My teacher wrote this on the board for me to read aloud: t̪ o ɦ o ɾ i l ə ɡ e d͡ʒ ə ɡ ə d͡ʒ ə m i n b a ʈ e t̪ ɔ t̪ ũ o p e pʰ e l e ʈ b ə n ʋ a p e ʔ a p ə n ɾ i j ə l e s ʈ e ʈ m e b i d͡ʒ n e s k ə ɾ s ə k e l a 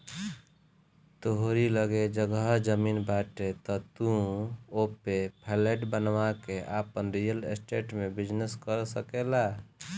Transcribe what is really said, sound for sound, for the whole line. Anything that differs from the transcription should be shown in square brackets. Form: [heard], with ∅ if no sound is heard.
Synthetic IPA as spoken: t̪ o ɦ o ɾ i l ə ɡ e d͡ʒ ə ɡ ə d͡ʒ ə m i n b a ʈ e t̪ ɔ t̪ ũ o p e pʰ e l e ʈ b ə n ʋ a [k] e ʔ a p ə n ɾ i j ə l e s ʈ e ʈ m e b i d͡ʒ n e s k ə ɾ s ə k e l a

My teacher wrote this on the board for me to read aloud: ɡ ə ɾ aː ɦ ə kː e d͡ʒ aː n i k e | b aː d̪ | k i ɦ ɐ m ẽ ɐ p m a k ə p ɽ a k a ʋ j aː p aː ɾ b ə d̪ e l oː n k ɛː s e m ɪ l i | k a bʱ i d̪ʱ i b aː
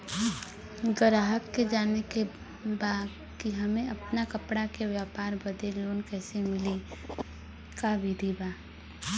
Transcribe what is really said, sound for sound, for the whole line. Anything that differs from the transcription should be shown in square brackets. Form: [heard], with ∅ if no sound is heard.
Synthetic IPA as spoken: ɡ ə ɾ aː ɦ ə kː e d͡ʒ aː n [e] k e | b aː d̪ | k i ɦ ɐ m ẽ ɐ p [n] a k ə p ɽ a k [e] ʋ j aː p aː ɾ b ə d̪ e l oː n k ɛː s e m ɪ l i | k a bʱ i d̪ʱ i b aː

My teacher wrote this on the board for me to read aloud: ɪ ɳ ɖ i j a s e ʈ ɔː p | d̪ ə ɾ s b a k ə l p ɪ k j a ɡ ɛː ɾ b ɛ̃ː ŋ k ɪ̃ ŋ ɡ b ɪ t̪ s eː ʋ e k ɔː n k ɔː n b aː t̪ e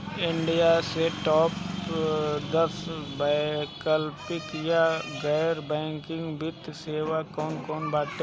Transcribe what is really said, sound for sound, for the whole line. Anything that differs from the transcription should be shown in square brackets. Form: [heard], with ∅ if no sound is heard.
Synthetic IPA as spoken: ɪ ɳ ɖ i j a s e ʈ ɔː p | d̪ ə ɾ s b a k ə l p ɪ k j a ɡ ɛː ɾ b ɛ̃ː ŋ k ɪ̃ ŋ ɡ b ɪ t̪ s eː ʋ [a] k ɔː n k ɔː n b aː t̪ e

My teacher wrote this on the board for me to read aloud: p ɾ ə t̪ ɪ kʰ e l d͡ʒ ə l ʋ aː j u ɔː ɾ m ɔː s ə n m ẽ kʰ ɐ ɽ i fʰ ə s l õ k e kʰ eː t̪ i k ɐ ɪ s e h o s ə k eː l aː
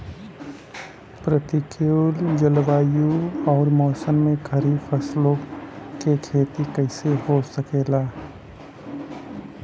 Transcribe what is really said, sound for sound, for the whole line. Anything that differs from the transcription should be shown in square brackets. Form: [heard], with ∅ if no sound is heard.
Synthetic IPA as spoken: p ɾ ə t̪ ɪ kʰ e l d͡ʒ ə l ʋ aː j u ɔː ɾ m ɔː s ə n m ẽ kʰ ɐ [ɾ] i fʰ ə s l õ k e kʰ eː t̪ i k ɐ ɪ s e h o s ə k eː l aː

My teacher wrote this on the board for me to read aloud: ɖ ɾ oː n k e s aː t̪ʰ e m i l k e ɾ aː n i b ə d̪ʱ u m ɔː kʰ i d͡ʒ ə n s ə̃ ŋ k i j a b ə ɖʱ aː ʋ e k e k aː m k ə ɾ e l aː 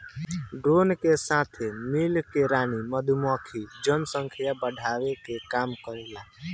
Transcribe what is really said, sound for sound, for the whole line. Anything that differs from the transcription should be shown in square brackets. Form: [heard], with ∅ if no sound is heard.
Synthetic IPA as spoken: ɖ ɾ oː n k e s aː t̪ʰ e m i l k e ɾ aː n i [m] ə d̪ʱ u m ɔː kʰ i d͡ʒ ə n s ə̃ ŋ [kʰ] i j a b ə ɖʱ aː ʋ e k e k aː m k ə ɾ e l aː

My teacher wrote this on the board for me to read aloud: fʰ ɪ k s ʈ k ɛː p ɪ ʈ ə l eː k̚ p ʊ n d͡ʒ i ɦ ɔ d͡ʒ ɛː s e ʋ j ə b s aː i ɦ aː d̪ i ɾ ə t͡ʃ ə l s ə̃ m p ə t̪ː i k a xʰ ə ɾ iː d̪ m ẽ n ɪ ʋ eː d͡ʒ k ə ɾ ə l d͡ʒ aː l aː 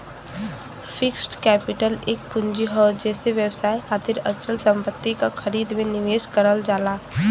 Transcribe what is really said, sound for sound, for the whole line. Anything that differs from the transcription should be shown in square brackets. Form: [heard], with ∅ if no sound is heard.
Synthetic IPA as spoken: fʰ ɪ k s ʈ k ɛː p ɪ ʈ ə l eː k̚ p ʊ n d͡ʒ i ɦ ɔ d͡ʒ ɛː s e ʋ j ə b s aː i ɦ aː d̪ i ɾ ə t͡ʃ ə l s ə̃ m p ə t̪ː i k a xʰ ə ɾ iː d̪ m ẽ n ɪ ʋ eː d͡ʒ k ə ɾ ə l d͡ʒ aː l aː

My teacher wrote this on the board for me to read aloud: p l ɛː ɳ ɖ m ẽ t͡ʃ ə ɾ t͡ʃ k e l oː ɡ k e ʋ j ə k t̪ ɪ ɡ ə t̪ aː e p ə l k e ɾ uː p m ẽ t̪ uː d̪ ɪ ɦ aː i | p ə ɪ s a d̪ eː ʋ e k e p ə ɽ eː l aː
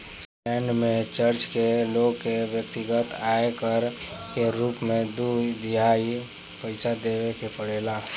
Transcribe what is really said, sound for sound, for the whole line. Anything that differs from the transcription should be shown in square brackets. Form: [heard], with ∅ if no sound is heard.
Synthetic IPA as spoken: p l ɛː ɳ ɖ m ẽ t͡ʃ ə ɾ t͡ʃ k e l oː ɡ k e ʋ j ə k t̪ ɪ ɡ ə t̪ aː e [k] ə [ɾ] k e ɾ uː p m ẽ [d̪] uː d̪ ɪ ɦ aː i | p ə ɪ s a d̪ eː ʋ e k e p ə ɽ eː l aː

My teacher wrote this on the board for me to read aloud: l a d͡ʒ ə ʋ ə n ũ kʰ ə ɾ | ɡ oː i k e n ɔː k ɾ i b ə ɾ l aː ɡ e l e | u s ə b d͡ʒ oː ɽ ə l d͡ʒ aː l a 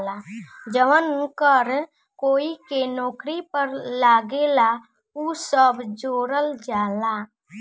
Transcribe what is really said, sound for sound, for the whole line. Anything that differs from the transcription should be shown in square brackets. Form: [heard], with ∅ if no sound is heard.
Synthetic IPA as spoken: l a d͡ʒ ə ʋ ə n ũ [k] ə ɾ | [k] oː i k e n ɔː k ɾ i [p] ə ɾ l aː ɡ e l [a] | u s ə b d͡ʒ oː [ɾ] ə l d͡ʒ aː l a

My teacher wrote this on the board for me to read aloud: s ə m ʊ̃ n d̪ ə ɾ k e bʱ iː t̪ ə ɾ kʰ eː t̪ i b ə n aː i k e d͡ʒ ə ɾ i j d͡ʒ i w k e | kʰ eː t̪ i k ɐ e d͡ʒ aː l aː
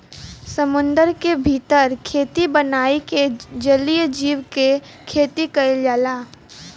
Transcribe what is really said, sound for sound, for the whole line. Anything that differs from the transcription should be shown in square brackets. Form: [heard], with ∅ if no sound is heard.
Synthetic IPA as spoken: s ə m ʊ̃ n d̪ ə ɾ k e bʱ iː t̪ ə ɾ kʰ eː t̪ i b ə n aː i k e d͡ʒ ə [l] i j d͡ʒ [iː] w k e | kʰ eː t̪ i k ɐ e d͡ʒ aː l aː

